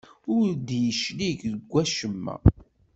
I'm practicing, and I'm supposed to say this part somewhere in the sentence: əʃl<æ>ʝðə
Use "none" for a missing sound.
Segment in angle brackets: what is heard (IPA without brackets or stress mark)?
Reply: i